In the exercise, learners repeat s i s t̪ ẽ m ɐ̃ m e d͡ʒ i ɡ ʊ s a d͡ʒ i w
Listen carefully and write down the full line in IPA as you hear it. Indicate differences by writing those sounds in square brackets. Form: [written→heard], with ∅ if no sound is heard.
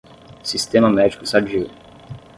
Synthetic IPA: s i s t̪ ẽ m [ɐ̃→ɐ] m [e→ɛ] d͡ʒ i [ɡ→k] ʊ s a d͡ʒ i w